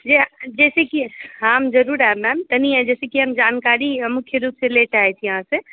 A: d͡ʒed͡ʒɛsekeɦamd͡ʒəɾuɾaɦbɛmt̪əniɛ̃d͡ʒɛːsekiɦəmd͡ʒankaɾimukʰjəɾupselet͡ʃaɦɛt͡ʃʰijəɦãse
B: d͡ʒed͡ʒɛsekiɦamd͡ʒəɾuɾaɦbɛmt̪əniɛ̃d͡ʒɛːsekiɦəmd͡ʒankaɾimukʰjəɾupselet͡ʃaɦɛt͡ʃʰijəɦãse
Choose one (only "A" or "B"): B